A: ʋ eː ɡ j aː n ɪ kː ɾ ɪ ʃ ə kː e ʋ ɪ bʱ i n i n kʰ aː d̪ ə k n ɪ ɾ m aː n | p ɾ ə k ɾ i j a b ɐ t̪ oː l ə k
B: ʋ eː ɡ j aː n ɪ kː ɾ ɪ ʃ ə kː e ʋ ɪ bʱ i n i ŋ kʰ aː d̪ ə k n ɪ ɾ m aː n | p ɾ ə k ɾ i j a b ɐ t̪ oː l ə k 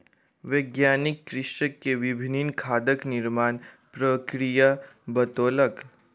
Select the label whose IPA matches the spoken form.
A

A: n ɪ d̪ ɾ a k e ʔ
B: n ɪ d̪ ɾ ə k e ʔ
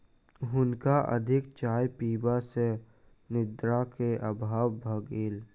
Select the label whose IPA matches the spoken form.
A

